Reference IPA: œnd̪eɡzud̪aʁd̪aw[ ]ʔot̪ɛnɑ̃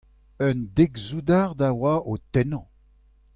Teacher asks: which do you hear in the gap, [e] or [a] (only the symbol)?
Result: a